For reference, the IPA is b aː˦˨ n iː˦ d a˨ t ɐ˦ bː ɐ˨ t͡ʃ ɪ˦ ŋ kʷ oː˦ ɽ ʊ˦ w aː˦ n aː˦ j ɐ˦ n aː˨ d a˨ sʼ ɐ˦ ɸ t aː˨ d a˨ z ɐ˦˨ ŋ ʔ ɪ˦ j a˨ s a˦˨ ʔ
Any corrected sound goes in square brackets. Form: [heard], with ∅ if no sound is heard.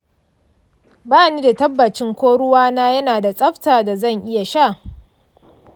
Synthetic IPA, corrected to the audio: b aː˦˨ n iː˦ d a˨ t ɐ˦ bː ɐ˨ t͡ʃ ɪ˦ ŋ kʷ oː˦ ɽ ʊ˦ w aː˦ n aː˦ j ɐ˦ n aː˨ d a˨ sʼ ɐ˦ ɸ t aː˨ d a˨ z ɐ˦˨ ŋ ʔ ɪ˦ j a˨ [ʃ] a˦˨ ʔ